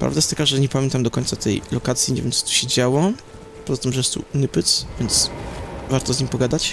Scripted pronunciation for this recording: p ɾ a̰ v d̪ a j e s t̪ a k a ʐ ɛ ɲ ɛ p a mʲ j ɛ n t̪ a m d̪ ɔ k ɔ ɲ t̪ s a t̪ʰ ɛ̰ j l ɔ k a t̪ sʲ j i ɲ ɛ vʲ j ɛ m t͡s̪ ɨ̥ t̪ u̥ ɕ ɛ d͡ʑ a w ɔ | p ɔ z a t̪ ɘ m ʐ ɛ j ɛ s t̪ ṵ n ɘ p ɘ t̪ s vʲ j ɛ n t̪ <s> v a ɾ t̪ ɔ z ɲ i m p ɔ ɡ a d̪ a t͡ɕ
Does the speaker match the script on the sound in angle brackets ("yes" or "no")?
yes